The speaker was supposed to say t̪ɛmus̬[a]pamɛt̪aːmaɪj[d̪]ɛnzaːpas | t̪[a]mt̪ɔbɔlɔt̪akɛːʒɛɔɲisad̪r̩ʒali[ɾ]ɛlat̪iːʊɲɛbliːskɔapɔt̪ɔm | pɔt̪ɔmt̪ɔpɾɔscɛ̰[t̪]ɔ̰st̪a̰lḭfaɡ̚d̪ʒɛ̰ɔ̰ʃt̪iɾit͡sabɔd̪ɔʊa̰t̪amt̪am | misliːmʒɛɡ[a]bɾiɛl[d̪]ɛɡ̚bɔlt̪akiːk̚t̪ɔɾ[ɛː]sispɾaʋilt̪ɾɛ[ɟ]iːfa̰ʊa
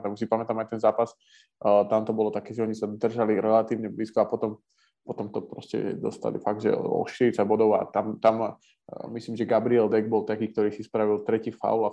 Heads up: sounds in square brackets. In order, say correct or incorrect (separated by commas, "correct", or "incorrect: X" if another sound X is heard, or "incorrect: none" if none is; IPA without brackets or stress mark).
incorrect: i, incorrect: t̪, correct, correct, incorrect: d̪, correct, correct, incorrect: iː, incorrect: c